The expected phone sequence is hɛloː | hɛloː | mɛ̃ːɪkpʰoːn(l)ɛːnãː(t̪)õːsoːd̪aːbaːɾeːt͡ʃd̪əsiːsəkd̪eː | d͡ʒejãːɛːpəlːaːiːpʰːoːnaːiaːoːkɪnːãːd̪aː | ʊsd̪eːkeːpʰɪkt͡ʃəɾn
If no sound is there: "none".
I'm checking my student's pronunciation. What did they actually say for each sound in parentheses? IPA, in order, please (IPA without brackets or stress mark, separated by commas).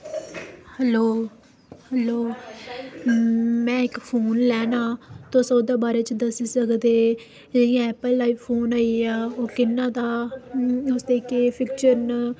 l, t̪